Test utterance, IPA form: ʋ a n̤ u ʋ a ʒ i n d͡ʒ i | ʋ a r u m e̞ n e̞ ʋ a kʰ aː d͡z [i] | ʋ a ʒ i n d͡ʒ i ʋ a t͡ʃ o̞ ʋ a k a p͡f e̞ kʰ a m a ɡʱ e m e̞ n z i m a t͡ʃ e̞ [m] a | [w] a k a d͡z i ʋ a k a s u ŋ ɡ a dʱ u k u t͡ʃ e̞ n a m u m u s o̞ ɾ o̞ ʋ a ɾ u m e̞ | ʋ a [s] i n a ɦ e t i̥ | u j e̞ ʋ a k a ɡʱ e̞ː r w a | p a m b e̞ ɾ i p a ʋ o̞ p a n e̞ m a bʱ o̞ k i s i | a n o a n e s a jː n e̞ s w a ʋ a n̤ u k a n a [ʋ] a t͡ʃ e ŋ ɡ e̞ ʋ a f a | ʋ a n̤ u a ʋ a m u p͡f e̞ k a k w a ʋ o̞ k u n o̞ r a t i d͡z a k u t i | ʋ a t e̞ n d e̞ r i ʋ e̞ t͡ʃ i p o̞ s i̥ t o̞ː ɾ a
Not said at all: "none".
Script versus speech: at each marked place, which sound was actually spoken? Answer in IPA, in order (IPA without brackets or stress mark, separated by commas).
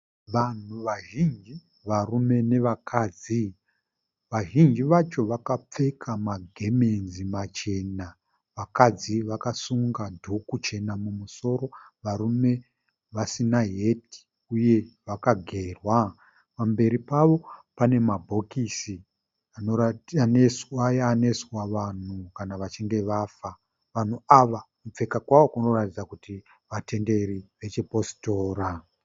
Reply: i, n, ʋ, s, ʋ